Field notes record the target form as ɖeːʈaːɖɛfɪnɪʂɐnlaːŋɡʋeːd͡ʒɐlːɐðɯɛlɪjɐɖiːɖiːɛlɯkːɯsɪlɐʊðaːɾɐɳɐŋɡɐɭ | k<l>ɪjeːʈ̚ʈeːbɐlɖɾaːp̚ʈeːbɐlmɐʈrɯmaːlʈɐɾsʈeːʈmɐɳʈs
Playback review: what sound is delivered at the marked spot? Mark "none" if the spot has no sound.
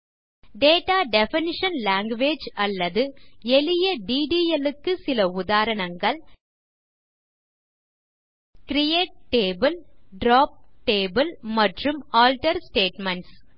ɾ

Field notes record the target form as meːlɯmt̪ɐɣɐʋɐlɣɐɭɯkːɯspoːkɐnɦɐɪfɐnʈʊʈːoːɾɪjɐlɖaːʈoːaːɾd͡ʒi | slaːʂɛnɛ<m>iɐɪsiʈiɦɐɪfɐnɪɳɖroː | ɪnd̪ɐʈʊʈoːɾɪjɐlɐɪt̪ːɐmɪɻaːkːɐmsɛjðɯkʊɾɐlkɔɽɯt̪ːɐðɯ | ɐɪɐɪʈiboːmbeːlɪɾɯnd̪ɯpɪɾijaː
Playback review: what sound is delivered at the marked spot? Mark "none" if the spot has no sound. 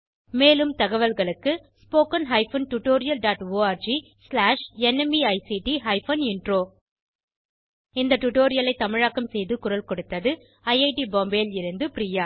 m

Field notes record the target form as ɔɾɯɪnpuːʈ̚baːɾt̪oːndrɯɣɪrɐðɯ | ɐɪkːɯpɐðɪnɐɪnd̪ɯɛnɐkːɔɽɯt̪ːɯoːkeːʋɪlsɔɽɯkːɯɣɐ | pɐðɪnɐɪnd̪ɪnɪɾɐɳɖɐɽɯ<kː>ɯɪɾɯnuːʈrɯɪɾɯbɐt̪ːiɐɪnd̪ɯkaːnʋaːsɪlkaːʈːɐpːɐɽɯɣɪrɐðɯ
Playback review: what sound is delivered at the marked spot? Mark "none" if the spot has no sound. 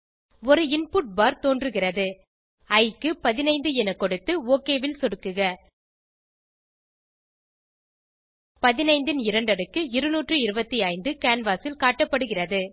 kː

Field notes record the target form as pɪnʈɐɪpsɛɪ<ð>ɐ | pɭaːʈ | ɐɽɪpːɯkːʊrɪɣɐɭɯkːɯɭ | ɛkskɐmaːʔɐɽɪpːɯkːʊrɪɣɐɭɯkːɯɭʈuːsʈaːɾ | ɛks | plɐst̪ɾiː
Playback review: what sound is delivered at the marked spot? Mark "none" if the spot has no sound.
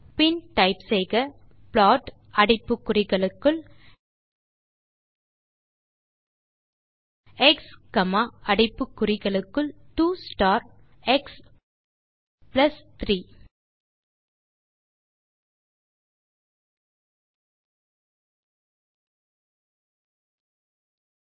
ɣ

